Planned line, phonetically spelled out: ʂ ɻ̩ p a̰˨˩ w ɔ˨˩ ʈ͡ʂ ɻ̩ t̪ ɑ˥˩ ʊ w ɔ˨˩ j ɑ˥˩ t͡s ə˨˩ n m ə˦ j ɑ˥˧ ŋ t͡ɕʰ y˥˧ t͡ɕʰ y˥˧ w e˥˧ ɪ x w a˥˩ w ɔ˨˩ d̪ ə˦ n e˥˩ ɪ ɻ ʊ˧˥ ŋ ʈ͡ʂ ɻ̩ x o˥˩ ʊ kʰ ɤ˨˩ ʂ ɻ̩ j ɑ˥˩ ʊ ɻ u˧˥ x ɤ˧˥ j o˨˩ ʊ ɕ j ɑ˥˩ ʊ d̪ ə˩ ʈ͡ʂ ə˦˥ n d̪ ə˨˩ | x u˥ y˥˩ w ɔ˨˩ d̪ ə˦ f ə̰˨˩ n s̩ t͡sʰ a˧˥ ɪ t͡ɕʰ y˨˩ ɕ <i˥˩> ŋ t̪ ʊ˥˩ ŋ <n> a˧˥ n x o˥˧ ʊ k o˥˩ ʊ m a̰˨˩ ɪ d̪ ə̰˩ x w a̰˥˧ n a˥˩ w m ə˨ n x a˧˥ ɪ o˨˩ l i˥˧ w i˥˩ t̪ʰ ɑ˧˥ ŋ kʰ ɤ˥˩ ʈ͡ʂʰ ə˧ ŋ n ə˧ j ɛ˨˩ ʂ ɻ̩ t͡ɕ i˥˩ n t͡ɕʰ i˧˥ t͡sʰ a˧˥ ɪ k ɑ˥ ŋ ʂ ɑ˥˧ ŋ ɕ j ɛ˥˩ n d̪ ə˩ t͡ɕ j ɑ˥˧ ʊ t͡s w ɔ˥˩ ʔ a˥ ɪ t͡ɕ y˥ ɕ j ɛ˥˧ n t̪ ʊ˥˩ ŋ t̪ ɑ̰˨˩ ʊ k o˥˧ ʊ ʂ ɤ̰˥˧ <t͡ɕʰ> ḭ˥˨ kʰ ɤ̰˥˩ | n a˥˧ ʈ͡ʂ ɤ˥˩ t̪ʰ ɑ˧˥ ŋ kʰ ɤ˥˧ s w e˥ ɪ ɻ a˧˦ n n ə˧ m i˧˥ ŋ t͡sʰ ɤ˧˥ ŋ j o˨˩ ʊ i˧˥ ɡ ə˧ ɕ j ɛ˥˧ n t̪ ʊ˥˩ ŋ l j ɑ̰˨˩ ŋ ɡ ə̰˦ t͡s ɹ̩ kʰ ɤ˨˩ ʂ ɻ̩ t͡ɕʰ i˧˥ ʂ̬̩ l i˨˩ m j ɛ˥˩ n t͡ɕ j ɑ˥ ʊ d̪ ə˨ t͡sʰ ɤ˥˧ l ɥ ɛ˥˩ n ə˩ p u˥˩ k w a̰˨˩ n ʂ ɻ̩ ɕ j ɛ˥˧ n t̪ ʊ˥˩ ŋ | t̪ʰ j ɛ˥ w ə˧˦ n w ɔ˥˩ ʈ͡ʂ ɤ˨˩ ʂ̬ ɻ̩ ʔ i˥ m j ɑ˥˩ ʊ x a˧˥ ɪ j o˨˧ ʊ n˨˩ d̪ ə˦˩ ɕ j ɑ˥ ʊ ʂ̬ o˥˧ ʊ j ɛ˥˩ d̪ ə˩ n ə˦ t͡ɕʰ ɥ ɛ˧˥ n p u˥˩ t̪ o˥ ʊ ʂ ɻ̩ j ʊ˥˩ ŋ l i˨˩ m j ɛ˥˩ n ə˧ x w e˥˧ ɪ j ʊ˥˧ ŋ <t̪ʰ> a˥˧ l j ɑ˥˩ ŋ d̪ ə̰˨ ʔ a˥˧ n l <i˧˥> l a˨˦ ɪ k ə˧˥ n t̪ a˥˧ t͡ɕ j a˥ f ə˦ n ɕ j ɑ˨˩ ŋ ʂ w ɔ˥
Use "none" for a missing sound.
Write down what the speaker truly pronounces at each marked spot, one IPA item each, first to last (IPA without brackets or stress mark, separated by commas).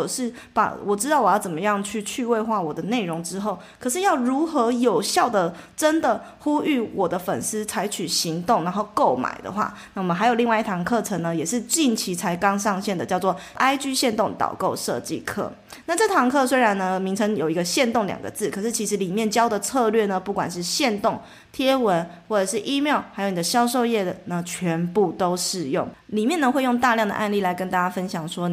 i˧˥, n, t͡ɕ, t̪, i˥˩